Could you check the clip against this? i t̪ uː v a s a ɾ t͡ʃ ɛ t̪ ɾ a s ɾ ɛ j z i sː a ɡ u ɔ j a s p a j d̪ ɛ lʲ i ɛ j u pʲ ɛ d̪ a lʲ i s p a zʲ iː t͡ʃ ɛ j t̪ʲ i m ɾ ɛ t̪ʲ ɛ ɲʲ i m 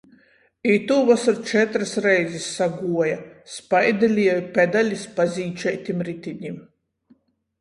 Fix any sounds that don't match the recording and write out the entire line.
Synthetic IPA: i t̪ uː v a s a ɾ t͡ʃ ɛ t̪ ɾ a s ɾ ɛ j z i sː a ɡ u ɔ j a s p a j d̪ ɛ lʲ i ɛ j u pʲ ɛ d̪ a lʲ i s p a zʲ iː t͡ʃ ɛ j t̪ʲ i m ɾ i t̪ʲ i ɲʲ i m